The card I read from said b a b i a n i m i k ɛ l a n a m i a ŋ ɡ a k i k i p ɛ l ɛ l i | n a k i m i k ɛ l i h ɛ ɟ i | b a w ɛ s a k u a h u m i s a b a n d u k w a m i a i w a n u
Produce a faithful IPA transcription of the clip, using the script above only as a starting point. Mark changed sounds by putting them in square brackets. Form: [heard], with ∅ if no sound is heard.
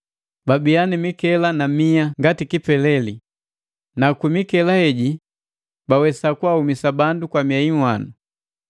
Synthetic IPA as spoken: b a b i a n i m i k ɛ l a n a m i a ŋ ɡ a [t] i k i p ɛ l ɛ l i | n a k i m i k ɛ l [a] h ɛ ɟ i | b a w ɛ s a k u a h u m i s a b a n d u k w a m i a i w a n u